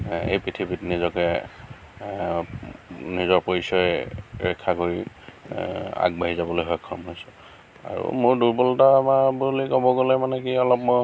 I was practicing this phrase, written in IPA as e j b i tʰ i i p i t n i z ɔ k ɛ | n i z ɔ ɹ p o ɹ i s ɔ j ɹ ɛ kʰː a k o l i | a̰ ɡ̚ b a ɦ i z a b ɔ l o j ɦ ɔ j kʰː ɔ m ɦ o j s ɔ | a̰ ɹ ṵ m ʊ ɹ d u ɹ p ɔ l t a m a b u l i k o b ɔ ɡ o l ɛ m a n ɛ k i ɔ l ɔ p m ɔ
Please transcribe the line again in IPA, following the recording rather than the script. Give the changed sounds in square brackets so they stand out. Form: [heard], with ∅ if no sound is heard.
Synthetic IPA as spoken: e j [p] i tʰ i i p i t n i z ɔ k ɛ | n i z ɔ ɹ p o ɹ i s ɔ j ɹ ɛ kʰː a k o [ɹ] i | a̰ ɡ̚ b a ɦ i z a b ɔ l o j ɦ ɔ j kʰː ɔ m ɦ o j s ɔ | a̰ ɹ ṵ m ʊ ɹ d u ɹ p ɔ l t a m a b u l i k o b ɔ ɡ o l ɛ m a n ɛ k i ɔ l ɔ p m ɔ